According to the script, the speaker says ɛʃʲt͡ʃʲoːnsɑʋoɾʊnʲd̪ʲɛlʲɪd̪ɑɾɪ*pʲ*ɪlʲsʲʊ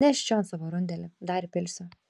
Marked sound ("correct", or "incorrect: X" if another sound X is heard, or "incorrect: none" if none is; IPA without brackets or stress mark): correct